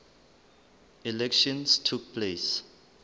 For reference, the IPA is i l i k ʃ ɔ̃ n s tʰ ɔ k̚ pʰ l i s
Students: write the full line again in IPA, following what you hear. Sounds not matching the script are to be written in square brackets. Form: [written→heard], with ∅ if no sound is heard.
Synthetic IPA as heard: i l [i→ɛ] k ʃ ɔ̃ n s tʰ [ɔ→u] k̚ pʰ l [i→e] s